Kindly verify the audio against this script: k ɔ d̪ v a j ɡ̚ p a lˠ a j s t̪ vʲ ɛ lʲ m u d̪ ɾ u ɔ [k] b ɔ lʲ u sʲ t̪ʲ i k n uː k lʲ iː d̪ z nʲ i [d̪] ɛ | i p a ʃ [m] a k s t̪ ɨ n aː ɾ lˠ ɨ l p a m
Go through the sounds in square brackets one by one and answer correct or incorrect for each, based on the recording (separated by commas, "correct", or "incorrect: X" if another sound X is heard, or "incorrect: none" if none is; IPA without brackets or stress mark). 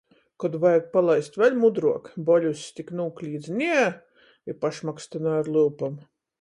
correct, incorrect: none, correct